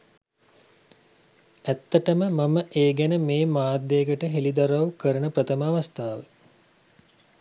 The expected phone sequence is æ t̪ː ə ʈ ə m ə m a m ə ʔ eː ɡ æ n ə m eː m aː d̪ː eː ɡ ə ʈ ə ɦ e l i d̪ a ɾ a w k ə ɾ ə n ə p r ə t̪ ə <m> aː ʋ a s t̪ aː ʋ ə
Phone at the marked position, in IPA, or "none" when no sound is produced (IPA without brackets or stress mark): m